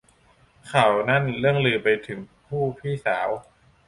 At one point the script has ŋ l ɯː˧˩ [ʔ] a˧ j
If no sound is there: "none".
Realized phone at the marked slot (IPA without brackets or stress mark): p